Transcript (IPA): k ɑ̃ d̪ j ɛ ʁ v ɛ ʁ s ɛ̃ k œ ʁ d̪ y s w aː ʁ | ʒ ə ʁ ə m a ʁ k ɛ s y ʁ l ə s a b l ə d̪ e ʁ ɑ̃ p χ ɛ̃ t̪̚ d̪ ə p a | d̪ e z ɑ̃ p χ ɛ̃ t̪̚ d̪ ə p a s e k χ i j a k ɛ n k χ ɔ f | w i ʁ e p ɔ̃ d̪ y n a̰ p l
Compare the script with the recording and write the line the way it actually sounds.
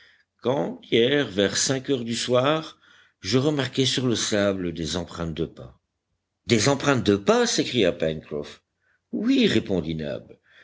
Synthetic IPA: k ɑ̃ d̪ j ɛ ʁ v ɛ ʁ s ɛ̃ k œ ʁ d̪ y s w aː ʁ | ʒ ə ʁ ə m a ʁ k ɛ s y ʁ l ə s a b l ə d̪ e z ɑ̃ p χ ɛ̃ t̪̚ d̪ ə p a | d̪ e z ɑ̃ p χ ɛ̃ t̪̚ d̪ ə p a s e k χ i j a p ɛ n k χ ɔ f | w i ʁ e p ɔ̃ d̪ i n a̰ b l